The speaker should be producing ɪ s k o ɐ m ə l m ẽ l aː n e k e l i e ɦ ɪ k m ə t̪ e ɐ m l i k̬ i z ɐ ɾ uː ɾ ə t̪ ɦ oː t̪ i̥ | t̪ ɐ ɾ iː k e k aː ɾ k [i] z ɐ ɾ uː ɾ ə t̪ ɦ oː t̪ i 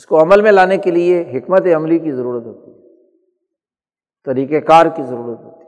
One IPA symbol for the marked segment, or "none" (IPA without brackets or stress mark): i